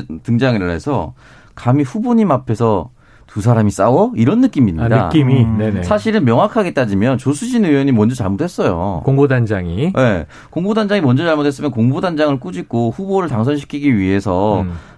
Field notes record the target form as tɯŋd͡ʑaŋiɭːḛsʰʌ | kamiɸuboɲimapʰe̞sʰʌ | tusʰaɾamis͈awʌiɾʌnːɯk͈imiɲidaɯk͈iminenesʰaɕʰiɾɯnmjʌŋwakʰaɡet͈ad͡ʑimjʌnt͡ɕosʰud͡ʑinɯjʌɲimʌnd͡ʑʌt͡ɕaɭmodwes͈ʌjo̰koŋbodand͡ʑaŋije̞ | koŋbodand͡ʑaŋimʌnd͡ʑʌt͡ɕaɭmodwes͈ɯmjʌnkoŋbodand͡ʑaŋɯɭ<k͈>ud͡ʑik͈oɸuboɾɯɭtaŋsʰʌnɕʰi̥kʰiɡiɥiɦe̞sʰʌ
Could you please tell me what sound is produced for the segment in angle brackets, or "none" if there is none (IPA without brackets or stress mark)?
k͈